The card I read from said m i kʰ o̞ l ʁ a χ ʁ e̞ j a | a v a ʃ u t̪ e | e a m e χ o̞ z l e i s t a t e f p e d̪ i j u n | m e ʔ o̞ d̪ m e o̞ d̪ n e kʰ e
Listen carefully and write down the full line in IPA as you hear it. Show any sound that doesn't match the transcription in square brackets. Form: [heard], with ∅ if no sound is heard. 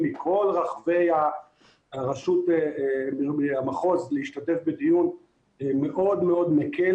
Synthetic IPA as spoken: m i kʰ o̞ l ʁ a χ [v] e̞ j a | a [ʁ] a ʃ u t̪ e | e a m [a] χ o̞ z l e i [ʃ] t a t e f [b] e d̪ i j u n | m e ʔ o̞ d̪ m e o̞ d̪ [m] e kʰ e